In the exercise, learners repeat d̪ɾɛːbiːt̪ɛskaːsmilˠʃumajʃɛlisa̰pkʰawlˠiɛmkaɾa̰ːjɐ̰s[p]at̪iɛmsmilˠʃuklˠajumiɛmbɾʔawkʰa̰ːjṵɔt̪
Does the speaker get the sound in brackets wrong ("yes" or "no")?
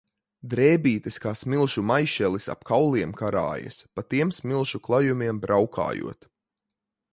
no